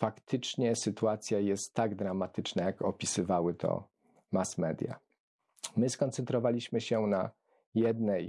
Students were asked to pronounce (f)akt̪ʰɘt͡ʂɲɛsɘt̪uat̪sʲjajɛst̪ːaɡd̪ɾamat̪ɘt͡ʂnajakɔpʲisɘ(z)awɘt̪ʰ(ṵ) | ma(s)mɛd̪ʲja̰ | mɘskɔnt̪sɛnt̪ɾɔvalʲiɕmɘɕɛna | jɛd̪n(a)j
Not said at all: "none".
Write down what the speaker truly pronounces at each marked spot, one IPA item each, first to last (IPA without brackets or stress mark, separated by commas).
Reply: f, v, ɔ̰, s, ɛ